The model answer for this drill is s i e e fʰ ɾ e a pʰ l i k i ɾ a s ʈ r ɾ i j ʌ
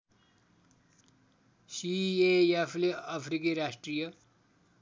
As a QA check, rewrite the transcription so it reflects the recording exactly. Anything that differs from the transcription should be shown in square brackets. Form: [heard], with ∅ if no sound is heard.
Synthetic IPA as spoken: s i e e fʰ [l] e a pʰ [ɾ] i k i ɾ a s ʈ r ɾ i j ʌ